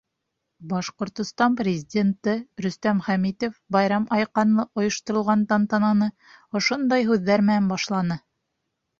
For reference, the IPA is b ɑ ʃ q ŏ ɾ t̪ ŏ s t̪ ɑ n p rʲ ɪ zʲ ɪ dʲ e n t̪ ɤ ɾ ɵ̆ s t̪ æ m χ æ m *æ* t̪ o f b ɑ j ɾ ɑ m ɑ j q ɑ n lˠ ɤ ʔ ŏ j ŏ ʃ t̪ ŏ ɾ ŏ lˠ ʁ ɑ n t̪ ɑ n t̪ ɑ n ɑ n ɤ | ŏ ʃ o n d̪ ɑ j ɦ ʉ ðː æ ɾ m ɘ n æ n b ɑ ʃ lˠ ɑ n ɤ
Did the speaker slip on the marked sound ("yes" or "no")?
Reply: yes